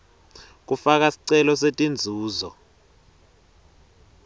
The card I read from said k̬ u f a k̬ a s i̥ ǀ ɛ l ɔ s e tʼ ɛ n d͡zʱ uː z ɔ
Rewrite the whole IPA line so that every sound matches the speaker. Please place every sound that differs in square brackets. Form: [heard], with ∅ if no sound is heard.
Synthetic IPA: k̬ u f a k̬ a s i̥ ǀ ɛ l ɔ s e tʼ [i] n d͡zʱ uː z ɔ